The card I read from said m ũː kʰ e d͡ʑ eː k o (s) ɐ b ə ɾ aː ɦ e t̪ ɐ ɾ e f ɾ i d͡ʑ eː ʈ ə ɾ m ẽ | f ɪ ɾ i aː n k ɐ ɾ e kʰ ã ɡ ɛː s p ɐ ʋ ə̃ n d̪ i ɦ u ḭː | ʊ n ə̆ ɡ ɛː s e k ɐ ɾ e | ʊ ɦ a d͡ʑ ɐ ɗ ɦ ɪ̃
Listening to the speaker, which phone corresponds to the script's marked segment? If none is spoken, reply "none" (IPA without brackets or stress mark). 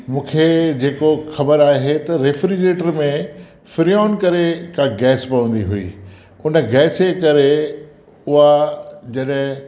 x